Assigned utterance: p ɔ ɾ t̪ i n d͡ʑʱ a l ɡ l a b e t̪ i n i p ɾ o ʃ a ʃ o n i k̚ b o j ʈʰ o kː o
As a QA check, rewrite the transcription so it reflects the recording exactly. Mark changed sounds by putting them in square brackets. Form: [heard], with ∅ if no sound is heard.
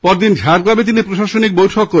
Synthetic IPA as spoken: p ɔ ɾ [d̪] i n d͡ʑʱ a [ɾ] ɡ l a b e t̪ i n i p ɾ o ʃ a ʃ o n i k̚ b o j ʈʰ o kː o